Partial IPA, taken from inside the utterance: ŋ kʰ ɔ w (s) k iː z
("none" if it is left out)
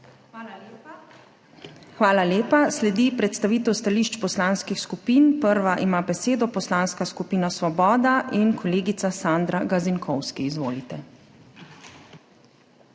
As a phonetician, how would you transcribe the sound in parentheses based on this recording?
s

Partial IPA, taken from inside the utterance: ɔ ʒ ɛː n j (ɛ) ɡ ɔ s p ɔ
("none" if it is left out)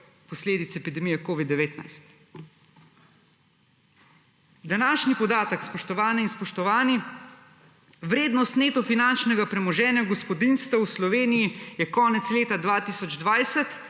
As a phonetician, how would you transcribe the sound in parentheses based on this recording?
a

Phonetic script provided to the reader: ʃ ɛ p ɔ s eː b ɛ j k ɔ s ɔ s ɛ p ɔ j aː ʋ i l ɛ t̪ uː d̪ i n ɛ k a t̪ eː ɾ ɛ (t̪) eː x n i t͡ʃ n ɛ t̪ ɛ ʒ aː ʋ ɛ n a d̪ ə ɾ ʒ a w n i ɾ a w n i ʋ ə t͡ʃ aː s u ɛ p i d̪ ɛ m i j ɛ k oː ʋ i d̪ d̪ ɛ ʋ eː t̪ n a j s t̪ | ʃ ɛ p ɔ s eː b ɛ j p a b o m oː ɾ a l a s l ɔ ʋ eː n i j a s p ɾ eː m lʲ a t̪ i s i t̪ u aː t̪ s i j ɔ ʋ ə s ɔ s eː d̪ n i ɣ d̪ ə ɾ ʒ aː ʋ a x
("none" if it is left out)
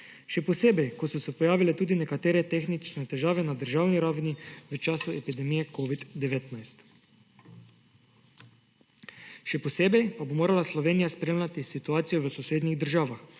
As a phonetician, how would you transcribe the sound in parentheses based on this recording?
t̪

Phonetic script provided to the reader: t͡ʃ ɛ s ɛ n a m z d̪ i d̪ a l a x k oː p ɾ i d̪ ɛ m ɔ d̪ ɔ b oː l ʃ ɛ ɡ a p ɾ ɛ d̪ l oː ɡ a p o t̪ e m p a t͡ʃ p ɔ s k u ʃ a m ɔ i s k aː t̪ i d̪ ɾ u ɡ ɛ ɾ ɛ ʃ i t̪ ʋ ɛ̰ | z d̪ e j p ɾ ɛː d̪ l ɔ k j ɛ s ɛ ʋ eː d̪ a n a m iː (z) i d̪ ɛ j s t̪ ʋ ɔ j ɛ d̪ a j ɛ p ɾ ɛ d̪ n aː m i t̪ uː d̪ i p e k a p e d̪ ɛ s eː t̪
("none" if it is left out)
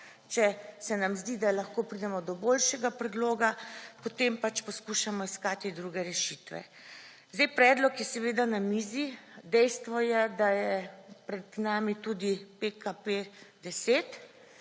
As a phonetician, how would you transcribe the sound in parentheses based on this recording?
z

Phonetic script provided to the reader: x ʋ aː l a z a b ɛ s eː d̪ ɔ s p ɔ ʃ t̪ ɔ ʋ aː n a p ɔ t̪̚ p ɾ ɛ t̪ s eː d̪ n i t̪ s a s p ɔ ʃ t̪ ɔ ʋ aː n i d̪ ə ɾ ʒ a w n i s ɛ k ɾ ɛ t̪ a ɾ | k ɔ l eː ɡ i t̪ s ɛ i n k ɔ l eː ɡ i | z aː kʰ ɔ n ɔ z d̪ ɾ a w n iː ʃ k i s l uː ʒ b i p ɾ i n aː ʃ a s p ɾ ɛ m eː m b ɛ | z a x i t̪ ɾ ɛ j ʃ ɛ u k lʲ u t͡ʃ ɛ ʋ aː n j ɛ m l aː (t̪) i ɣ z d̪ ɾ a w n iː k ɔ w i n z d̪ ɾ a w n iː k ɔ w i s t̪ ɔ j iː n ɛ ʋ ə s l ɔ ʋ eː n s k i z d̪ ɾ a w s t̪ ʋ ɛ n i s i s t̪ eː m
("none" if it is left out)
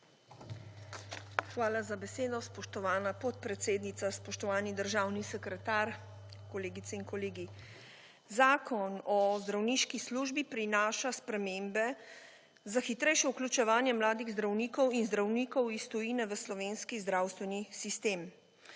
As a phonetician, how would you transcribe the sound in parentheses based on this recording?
d̪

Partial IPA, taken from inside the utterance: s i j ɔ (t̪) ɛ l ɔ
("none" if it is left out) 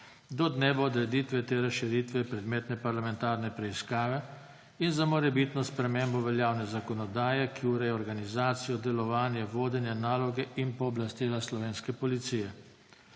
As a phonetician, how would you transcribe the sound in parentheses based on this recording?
d̪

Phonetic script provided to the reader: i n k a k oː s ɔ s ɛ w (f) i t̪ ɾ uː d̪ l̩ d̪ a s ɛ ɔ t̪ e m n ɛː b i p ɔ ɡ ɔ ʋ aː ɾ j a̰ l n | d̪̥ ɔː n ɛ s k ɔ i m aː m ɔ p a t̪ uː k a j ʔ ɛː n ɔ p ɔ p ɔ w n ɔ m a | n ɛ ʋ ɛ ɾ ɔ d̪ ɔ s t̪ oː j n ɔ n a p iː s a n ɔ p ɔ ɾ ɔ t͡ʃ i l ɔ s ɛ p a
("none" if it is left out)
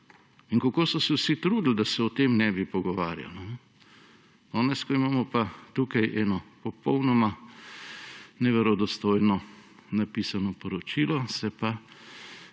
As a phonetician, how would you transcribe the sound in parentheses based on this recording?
s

